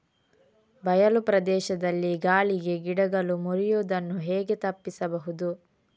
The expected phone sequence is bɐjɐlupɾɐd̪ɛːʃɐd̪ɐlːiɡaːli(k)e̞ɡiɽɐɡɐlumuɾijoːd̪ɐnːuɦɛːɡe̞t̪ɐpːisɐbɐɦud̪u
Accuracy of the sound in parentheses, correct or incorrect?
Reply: incorrect